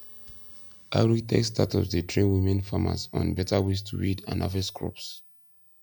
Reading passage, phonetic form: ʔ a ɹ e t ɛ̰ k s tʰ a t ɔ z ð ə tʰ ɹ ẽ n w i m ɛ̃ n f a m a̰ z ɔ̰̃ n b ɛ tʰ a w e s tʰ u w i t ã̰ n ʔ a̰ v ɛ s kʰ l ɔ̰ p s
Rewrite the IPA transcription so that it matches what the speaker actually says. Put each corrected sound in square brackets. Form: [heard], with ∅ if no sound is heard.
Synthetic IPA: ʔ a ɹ [i] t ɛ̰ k s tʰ a t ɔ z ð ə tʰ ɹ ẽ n w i m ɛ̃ n f a m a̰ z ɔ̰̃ n b ɛ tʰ a w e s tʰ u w i [d] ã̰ n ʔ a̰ v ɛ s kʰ [ɹ] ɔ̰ p s